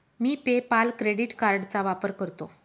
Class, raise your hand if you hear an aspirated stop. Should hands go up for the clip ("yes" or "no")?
no